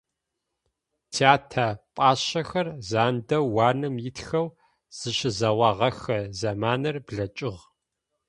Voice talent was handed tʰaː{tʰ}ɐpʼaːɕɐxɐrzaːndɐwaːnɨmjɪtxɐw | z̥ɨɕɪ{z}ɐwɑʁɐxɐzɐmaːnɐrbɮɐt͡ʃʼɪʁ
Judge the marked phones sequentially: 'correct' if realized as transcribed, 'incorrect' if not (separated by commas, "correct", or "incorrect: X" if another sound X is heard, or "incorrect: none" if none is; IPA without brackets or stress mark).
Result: correct, correct